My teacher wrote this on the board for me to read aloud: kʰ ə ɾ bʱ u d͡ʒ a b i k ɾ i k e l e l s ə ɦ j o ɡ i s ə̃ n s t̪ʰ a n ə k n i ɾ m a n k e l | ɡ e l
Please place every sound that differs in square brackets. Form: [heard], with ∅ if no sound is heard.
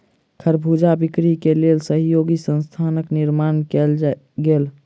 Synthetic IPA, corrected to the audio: kʰ ə ɾ bʱ u d͡ʒ a b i k ɾ i k e l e l s ə ɦ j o ɡ i s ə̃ n s t̪ʰ a n ə k n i ɾ m a n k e l | ɡ e l